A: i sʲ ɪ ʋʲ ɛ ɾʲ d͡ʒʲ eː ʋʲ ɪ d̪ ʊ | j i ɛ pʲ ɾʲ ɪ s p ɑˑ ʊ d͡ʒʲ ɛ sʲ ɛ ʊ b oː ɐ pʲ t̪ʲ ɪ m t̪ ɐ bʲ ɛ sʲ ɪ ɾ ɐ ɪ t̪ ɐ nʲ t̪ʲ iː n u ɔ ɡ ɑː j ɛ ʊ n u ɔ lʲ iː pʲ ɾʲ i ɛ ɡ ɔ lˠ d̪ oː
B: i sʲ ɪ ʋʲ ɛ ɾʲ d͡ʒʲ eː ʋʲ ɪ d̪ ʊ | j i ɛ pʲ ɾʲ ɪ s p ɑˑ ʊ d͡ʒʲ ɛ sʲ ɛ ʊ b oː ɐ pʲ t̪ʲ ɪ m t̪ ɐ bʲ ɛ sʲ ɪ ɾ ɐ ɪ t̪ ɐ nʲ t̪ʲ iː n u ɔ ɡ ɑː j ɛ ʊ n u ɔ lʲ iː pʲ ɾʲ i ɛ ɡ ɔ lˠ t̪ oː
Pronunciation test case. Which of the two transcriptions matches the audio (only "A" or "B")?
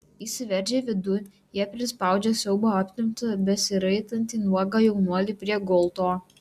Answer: B